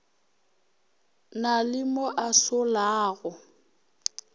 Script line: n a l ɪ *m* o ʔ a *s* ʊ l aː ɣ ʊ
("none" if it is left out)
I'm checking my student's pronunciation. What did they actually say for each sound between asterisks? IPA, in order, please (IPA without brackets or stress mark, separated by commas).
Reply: m, s